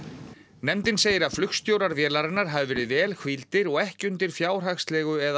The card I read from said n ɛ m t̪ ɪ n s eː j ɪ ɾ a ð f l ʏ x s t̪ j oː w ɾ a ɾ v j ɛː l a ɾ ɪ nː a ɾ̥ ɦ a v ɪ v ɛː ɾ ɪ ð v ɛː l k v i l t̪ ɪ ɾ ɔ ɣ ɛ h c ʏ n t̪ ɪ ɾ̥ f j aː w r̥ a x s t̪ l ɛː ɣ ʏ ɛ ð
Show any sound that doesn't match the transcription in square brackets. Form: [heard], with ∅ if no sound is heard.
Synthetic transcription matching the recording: n ɛ m t̪ ɪ n s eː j ɪ ɾ a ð f l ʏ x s t̪ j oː w ɾ a ɾ v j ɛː l a ɾ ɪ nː a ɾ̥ ɦ a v ɪ v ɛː ɾ ɪ ð v ɛː l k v i l t̪ ɪ ɾ ɔ ɣ ɛ h c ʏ n t̪ ɪ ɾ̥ f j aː w r̥ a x s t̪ l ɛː ɣ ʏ ɛ ð